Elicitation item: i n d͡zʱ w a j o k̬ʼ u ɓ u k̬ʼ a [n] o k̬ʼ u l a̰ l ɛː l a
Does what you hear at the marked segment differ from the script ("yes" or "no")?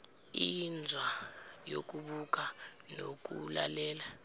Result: no